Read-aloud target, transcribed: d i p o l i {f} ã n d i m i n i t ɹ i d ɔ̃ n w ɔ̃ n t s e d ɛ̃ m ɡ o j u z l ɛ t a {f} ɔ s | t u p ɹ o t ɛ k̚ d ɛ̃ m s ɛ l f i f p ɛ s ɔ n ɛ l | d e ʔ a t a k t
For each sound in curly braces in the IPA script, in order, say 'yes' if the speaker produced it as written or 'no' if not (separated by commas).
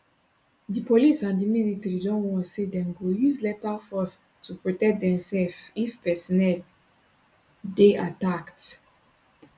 no, yes